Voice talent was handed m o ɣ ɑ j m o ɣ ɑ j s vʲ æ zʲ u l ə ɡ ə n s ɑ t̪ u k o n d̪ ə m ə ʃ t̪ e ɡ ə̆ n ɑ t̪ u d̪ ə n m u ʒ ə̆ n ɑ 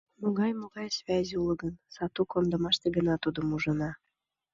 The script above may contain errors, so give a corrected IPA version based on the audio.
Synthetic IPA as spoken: m o ɣ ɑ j m o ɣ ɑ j s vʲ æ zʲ u l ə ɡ ə n s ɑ t̪ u k o n d̪ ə m ɑ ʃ t̪ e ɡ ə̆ n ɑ t̪ u d̪ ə m u ʒ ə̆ n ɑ